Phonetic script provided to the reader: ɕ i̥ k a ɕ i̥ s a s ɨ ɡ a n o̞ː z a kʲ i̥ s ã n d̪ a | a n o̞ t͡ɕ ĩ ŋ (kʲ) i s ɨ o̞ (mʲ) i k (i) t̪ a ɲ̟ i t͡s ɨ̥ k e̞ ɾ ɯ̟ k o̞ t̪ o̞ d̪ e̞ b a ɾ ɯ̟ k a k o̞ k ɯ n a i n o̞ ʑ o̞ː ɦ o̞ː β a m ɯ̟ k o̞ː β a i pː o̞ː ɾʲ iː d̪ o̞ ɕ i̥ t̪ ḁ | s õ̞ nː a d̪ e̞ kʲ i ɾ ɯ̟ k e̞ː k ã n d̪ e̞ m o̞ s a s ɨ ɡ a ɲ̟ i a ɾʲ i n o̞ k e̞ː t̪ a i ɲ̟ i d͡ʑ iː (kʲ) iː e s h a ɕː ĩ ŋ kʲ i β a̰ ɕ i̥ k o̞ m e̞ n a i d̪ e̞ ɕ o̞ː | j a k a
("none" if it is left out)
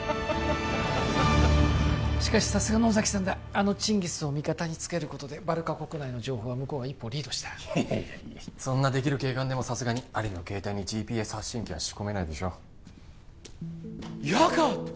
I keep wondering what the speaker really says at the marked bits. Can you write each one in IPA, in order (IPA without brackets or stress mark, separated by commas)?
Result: ɡʲ, mʲ, a, pʲ